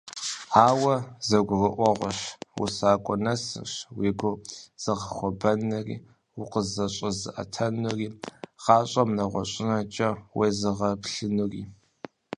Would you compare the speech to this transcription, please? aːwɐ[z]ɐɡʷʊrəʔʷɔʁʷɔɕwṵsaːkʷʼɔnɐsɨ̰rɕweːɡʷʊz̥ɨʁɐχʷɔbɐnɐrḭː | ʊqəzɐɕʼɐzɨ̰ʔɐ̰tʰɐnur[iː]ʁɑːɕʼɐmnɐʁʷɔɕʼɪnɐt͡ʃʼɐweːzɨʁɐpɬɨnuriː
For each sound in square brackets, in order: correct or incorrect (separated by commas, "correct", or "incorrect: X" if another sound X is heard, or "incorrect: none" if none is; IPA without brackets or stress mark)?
correct, correct